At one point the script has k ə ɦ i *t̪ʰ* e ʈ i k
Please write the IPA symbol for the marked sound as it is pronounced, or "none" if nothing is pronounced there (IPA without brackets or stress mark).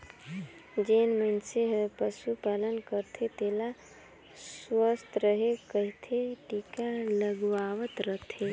t̪ʰ